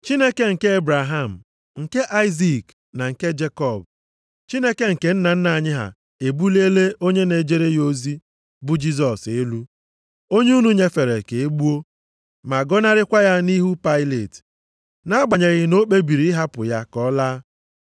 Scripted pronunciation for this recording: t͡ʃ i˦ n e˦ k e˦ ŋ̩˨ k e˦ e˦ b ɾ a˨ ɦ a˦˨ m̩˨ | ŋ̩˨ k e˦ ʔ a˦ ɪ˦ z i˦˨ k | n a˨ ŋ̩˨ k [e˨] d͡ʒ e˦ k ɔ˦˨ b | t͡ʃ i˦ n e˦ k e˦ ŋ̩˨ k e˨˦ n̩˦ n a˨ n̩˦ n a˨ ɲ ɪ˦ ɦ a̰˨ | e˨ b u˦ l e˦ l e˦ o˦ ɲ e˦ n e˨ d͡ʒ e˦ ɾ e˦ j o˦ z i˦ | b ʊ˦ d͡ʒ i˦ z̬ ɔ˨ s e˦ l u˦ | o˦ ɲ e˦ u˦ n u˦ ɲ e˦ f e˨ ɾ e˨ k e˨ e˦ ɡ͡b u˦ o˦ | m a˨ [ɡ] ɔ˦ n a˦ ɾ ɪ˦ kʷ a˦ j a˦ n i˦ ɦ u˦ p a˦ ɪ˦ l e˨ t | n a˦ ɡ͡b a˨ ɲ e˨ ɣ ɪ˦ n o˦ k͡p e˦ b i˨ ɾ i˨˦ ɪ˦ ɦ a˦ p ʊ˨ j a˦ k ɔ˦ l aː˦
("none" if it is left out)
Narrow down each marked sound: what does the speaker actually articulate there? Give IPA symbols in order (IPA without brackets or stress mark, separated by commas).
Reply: e˦, ɡ